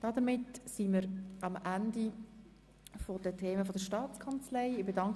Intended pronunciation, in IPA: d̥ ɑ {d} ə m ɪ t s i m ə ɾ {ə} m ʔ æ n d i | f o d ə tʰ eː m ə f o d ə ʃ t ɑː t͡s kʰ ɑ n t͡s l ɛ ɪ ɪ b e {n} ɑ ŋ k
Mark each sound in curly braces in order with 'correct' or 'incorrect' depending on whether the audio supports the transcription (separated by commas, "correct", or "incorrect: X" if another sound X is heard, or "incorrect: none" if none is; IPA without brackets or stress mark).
correct, incorrect: ɑ, incorrect: d